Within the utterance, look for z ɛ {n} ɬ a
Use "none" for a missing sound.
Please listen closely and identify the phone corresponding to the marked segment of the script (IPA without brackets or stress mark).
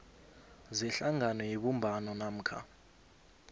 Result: none